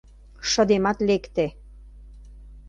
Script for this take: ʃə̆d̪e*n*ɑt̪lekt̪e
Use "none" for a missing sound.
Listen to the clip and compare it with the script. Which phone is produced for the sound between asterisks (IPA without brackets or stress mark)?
m